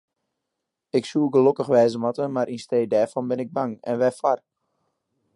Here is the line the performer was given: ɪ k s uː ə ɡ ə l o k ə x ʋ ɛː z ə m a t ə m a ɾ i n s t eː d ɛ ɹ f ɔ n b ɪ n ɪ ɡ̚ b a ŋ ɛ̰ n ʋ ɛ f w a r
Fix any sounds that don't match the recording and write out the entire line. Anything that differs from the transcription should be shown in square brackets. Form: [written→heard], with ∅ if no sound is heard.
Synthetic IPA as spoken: ɪ k s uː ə ɡ ə l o k ə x ʋ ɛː z ə m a t ə m a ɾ i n s t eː d ɛ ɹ f ɔ n b ɪ n ɪ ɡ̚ b a ŋ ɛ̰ n ʋ ɛ f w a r